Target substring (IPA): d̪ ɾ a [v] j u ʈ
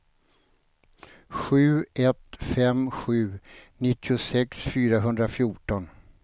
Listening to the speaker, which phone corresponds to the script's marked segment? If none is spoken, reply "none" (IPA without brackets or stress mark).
f